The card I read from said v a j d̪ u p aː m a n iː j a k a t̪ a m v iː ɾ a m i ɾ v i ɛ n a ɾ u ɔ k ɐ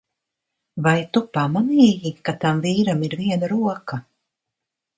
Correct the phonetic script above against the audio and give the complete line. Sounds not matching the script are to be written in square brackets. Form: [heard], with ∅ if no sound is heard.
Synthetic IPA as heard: v a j [t̪] u p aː m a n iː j [i] k a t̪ a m v iː ɾ a m i ɾ v i ɛ n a ɾ u ɔ k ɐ